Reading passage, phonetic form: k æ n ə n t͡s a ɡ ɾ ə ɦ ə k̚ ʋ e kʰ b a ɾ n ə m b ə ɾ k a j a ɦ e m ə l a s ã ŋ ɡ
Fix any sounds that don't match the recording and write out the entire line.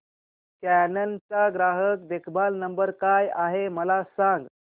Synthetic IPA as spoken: k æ n ə n t͡s a ɡ ɾ a ɦ ə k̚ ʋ e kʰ b a l n ə m b ə ɾ k a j a ɦ e m ə l a s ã ŋ ɡ

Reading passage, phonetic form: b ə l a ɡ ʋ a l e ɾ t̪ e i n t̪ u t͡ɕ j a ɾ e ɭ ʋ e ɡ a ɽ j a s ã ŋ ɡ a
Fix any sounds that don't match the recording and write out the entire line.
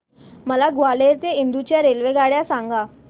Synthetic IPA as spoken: m ə l a ɡ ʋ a l e ɾ t̪ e i n d̪ u t͡ɕ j a ɾ e l ʋ e ɡ a ɽ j a s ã ŋ ɡ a

